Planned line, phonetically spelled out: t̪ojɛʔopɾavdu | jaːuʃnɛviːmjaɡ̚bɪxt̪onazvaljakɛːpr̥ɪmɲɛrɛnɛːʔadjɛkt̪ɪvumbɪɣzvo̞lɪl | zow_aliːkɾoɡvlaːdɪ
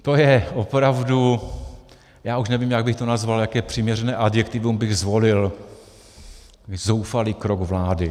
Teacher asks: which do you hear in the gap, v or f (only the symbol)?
f